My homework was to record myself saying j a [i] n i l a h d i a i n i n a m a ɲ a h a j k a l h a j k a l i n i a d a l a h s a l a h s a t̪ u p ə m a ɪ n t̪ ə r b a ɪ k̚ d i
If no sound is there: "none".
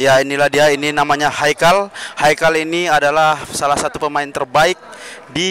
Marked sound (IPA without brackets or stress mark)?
i